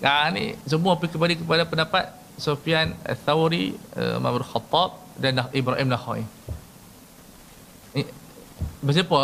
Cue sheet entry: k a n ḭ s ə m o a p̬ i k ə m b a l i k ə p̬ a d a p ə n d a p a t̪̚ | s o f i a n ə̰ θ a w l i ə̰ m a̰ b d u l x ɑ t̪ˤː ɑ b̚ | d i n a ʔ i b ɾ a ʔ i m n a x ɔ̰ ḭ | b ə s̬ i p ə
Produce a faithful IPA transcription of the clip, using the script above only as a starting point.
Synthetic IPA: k a n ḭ s ə m u a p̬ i k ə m b a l i k ə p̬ a d a p ə n d a p a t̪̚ | s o f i a n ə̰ θ a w ɾ i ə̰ m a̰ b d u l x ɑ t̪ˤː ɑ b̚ | d a n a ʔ i b ɾ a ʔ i m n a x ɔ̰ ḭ | b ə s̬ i p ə